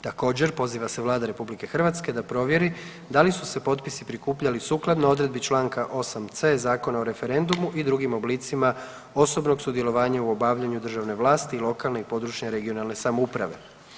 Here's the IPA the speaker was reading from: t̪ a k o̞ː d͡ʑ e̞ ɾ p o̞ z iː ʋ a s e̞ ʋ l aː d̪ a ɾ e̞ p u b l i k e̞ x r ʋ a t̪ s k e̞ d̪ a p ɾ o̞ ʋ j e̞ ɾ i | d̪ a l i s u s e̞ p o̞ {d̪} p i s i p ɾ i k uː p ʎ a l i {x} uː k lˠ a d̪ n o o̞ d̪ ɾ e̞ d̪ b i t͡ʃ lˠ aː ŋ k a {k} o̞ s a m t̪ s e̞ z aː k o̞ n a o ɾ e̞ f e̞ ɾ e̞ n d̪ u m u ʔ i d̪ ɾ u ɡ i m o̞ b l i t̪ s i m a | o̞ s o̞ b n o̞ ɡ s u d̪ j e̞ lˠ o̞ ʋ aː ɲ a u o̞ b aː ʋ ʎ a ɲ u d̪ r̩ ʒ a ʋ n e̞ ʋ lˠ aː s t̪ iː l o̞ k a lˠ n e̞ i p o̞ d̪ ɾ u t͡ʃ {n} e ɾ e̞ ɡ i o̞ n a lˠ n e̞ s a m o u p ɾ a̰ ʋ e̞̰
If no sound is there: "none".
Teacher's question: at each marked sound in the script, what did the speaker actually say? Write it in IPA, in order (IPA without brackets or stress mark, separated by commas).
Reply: t̪, s, ʔ, ɲ